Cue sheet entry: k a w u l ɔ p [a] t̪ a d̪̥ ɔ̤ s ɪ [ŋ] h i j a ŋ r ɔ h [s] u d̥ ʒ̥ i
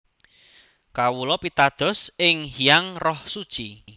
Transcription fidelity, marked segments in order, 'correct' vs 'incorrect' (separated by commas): incorrect, correct, correct